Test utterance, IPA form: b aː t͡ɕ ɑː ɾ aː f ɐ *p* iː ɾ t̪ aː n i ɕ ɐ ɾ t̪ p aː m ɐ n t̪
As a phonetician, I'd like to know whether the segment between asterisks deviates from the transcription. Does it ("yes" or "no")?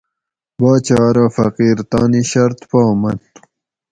yes